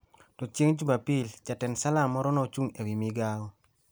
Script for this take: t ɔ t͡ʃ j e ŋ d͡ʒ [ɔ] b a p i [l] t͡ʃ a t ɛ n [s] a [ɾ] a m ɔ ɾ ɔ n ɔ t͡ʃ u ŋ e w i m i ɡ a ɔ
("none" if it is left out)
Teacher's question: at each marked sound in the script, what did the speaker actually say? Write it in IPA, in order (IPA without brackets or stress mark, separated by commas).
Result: u, l, s, l